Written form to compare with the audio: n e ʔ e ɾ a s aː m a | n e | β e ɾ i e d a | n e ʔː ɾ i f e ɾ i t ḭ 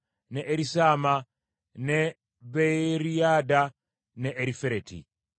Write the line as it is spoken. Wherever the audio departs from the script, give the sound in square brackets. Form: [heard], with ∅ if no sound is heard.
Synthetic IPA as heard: n e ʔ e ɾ [i] s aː m a | n e | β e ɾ i [a] d a | n e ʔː ɾ i f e ɾ [e] t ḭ

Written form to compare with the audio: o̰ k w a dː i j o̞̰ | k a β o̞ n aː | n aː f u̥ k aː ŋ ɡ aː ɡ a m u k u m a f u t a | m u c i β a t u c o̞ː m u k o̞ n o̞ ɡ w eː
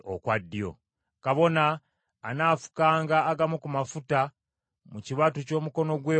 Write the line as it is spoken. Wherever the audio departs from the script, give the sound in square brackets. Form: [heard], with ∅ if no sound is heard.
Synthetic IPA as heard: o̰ k w a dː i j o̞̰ | k a β o̞ n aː | n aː f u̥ k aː ŋ ɡ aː ɡ a m u k u m a f u t a | m u c i β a t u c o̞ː m u k o̞ n o̞ ɡ w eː

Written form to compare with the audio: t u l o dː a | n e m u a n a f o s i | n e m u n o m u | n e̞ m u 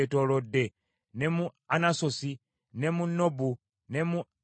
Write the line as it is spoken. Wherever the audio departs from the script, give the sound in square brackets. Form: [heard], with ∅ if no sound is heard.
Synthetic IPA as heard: t [o] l o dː [e] | n e m u a n a [s] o s i | n e m u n o [b] u | n e̞ m u

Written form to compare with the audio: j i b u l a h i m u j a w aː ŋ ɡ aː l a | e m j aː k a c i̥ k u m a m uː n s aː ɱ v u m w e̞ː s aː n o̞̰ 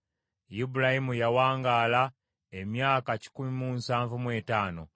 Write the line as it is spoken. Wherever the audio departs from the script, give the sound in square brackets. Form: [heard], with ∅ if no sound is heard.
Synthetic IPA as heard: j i b u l a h i m u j a w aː ŋ ɡ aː l a | e m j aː k a c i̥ k u m [i] m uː n s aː ɱ v u m w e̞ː [t] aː n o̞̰

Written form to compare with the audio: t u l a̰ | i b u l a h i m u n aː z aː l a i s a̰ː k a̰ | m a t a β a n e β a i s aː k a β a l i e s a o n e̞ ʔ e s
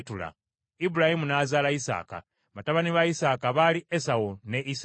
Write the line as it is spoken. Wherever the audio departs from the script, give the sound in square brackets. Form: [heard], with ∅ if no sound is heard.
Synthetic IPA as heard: t u l a̰ | i b u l a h i m u n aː z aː l a i s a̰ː k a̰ | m a t a β a n [i] β a i s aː k a β a l i e s a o n e̞ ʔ [i] s

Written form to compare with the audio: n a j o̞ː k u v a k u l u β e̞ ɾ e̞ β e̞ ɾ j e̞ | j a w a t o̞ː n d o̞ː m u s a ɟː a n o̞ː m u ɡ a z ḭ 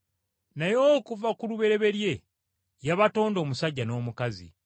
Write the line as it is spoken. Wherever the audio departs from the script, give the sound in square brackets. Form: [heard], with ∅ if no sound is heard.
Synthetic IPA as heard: n a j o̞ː k u v a k u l u β e̞ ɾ e̞ β e̞ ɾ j e̞ | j a [β] a t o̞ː n d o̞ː m u s a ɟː a n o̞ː m u [k] a z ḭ

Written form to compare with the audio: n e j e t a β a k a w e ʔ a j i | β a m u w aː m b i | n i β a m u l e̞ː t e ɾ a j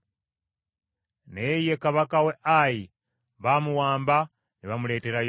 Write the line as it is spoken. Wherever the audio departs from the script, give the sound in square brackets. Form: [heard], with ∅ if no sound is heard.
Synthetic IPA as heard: n e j e [k] a β a k a w e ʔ a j i | β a m u w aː m b [a] | n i β a m u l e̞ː t e ɾ a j

